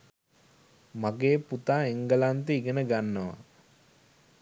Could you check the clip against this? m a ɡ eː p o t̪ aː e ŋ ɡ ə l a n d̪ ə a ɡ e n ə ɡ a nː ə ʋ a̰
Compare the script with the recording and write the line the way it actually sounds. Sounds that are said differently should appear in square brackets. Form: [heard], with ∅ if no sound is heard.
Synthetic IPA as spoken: m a ɡ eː p [u] t̪ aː e ŋ ɡ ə l a n [t̪] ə [i] ɡ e n ə ɡ a nː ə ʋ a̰